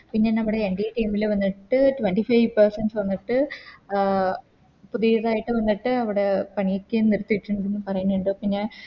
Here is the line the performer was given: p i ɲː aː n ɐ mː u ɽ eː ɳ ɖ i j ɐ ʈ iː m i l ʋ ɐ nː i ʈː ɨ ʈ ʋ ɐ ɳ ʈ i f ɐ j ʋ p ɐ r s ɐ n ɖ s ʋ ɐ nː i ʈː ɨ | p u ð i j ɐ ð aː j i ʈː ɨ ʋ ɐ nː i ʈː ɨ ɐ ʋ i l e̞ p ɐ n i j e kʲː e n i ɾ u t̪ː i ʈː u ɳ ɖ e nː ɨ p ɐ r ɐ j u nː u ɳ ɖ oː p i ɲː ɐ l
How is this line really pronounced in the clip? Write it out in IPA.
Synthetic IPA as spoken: p i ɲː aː n ɐ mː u ɽ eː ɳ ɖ i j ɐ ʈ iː m i l ʋ ɐ nː i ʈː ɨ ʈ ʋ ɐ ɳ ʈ i f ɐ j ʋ p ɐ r s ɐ n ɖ s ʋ ɐ nː i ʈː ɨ | p u ð i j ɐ ð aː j i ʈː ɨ ʋ ɐ nː i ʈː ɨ ɐ ʋ i ɽ e̞ p ɐ ɳ i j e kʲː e n i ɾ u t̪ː i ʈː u ɳ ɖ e nː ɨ p ɐ r ɐ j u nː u ɳ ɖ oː p i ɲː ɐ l